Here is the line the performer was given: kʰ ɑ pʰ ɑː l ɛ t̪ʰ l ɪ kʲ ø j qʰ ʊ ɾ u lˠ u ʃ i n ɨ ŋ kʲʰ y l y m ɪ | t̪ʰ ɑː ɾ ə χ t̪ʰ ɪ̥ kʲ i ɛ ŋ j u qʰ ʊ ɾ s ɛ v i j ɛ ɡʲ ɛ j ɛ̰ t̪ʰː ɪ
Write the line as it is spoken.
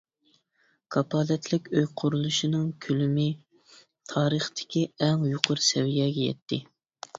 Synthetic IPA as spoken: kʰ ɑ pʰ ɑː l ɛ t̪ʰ l ɪ kʲ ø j qʰ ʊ ɾ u lˠ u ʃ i n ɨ ŋ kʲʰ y l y m ɪ | t̪ʰ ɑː ɾ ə χ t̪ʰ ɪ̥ kʲ i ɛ ŋ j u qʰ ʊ ɾ s ɛ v i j ɛ ɡʲ ɛ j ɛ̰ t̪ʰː ɪ

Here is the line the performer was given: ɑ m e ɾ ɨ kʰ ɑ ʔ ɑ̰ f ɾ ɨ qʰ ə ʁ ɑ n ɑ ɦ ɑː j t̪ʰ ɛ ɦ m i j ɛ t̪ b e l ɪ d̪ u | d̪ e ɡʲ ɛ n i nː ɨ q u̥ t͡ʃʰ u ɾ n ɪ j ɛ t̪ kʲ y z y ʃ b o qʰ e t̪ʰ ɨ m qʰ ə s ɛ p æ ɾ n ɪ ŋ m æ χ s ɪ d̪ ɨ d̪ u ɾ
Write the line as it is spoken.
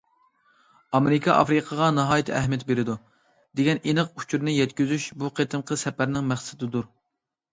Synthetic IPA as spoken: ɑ m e ɾ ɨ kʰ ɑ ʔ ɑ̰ f ɾ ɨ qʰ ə ʁ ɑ n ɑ ɦ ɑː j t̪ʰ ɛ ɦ m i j ɛ t̪ b e ɾ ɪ d̪ u | d̪ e ɡʲ ɛ n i n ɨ q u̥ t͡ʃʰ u ɾ n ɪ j ɛ t̪ kʲ y z y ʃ b u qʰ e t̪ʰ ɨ m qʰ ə s ɛ p æ ɾ n ɪ ŋ m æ χ s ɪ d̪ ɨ d̪ u ɾ

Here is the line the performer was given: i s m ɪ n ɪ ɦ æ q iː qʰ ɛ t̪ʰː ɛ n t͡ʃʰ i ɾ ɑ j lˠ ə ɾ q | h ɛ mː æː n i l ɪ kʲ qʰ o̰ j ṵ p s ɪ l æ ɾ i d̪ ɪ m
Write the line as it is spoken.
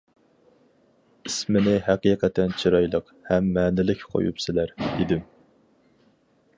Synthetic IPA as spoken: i s m ɪ n ɪ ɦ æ q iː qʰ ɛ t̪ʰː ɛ n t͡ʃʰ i ɾ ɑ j lˠ ə q | h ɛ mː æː n ɪ l ɪ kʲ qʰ o̰ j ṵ p s ɪ l æ ɾ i d̪ ɪ m

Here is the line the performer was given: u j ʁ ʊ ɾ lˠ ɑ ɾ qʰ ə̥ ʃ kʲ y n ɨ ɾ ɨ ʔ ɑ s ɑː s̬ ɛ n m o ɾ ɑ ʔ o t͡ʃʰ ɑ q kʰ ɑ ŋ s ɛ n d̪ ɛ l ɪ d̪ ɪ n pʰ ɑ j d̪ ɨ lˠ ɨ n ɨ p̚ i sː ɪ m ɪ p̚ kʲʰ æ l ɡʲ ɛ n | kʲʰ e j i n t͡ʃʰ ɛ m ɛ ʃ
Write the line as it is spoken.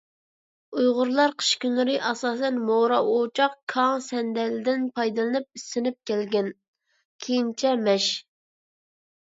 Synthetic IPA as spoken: u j ʁ ʊ ɾ lˠ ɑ ɾ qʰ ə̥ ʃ kʲ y n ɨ ɾ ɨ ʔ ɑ s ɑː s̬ ɛ n m o ɾ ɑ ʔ o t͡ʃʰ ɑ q kʰ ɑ ŋ s ɛ n d̪ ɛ l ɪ d̪ ɪ n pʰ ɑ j d̪ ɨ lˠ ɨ n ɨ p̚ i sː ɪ n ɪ p̚ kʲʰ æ l ɡʲ ɛ n | kʲʰ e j i n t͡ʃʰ ɛ m ɛ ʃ

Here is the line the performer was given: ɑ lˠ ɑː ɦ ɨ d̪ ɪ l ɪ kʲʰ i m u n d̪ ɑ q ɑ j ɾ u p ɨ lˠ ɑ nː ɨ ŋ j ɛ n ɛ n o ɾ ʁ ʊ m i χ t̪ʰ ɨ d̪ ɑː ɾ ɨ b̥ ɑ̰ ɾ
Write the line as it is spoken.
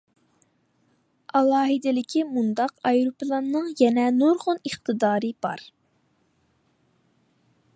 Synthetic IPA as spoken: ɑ lˠ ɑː ɦ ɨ d̪ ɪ l ɪ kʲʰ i m u n d̪ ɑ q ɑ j ɾ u p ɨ lˠ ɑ nː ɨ ŋ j ɛ n ɛ n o ɾ ʁ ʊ n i χ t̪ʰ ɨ d̪ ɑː ɾ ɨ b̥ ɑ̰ ɾ

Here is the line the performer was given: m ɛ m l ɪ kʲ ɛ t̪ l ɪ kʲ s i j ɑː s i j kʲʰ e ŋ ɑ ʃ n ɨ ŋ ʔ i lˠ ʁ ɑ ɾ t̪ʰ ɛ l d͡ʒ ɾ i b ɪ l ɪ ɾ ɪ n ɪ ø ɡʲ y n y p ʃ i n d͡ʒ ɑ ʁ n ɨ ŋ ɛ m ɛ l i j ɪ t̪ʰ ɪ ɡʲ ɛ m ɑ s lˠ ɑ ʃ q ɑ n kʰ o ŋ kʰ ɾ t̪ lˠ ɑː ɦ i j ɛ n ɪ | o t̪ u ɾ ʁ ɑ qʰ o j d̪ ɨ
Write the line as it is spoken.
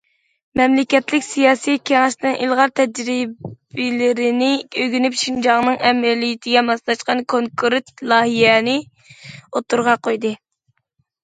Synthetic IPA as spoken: m ɛ m l ɪ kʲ ɛ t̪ l ɪ kʲ s i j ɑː s i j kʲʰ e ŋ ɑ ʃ n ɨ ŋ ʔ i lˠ ʁ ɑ ɾ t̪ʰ ɛ d͡ʒ ɾ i b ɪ l ɪ ɾ ɪ n ɪ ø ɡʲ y n y p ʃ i n d͡ʒ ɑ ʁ n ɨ ŋ ɛ m ɛ l i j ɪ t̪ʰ ɪ ɡʲ ɛ m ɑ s lˠ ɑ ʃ q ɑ n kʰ o ŋ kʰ ɾ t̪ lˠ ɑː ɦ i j ɛ n ɪ | o t̪ u ɾ ʁ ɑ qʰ o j d̪ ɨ

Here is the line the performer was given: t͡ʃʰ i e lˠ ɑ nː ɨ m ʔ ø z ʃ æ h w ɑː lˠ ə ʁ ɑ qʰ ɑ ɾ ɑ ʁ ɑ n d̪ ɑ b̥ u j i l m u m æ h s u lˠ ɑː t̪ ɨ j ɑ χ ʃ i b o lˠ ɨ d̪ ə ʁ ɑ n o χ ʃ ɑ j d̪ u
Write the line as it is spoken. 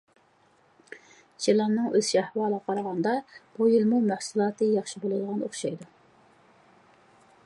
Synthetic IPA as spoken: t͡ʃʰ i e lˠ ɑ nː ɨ ŋ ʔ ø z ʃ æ h w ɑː lˠ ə ʁ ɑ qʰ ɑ ɾ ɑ ʁ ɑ n d̪ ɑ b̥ u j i l m u m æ h s u lˠ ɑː t̪ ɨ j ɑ χ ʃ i b o lˠ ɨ d̪ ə ʁ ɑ n o χ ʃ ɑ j d̪ u

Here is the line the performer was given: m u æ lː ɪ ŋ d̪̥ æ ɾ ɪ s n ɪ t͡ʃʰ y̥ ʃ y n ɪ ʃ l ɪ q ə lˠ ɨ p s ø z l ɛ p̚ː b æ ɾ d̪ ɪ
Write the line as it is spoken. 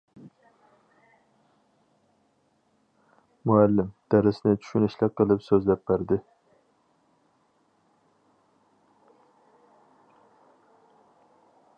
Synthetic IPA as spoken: m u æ lː ɪ m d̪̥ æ ɾ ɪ s n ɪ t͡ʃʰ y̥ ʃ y n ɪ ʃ l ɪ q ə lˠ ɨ p s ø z l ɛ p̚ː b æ ɾ d̪ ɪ

